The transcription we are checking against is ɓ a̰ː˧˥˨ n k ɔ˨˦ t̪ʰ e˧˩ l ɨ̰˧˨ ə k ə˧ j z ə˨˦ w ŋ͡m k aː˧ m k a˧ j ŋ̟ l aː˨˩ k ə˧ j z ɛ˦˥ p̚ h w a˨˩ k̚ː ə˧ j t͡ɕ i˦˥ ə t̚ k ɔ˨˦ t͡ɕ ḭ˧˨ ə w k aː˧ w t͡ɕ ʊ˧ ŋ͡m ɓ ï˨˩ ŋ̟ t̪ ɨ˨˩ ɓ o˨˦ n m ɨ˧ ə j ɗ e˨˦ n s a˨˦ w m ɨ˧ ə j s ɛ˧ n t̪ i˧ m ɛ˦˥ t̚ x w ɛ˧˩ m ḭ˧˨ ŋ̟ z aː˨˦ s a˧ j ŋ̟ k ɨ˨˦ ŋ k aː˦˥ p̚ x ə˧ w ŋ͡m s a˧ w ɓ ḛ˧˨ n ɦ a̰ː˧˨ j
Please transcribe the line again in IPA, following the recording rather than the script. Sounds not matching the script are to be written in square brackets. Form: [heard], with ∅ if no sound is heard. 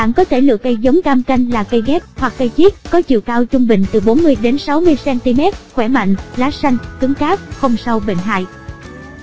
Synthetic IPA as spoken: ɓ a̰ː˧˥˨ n k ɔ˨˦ t̪ʰ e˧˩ l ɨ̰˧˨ ə k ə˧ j z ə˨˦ w ŋ͡m k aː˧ m k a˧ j ŋ̟ l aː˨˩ k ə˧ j [ɣ] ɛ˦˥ p̚ h w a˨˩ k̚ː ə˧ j t͡ɕ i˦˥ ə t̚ k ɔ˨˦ t͡ɕ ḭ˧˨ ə w k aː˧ w t͡ɕ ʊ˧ ŋ͡m ɓ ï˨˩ ŋ̟ t̪ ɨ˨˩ ɓ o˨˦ n m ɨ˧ ə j ɗ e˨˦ n s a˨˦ w m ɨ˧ ə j s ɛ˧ n t̪ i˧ m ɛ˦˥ t̚ x w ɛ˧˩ m [a̰˧˨] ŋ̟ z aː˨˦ s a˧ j ŋ̟ k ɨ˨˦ ŋ k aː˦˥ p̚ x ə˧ w ŋ͡m s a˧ w ɓ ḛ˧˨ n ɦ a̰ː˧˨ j